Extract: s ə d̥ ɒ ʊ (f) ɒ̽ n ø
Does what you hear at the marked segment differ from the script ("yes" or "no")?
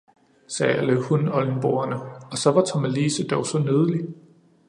yes